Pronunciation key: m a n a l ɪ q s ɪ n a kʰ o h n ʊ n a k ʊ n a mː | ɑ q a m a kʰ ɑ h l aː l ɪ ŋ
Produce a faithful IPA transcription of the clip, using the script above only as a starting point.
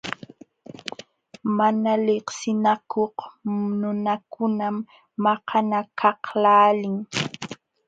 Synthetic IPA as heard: m a n a l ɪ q s ɪ n a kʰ o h n ʊ n a k ʊ n a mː | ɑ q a n a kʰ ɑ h l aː l ɪ ŋ